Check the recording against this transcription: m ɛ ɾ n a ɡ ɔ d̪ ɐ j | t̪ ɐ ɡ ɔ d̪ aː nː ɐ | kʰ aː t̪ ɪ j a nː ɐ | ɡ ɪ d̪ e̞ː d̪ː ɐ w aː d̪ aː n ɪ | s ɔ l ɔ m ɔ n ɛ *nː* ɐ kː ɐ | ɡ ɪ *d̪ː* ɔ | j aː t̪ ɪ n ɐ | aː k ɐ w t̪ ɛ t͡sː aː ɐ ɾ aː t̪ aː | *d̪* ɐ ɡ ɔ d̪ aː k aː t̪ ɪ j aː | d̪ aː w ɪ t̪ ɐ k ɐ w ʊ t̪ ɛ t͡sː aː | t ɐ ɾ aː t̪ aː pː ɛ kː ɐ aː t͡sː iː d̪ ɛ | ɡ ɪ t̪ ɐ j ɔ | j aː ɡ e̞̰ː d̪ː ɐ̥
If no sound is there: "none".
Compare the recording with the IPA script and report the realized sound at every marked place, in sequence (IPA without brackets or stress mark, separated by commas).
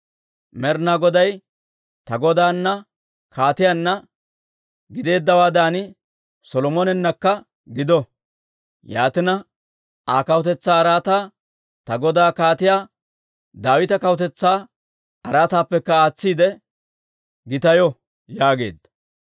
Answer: nː, d̪, t̪